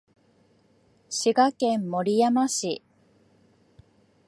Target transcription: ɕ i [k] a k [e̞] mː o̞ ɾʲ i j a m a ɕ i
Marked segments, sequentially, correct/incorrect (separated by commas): incorrect, incorrect